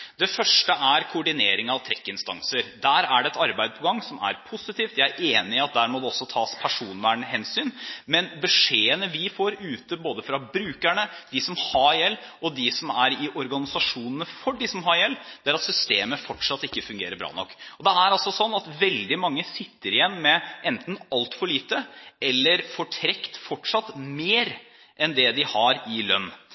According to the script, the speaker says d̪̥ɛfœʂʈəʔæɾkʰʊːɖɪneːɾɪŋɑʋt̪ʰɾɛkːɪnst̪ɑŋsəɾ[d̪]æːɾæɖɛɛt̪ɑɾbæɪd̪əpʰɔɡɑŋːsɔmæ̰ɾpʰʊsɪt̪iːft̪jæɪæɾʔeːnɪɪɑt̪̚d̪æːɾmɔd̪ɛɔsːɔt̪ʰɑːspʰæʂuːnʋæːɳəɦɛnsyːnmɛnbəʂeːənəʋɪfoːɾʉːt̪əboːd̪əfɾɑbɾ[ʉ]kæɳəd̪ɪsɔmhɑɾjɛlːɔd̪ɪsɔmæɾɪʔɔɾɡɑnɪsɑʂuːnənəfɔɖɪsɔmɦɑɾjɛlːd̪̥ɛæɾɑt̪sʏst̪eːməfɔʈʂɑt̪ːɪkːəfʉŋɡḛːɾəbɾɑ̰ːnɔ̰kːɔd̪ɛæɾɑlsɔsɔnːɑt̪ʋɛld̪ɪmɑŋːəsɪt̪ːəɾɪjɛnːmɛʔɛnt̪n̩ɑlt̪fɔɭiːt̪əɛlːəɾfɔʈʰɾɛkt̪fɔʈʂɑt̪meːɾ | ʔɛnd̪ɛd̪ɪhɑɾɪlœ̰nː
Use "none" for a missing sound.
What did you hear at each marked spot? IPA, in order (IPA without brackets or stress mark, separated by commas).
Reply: d̪, ʉː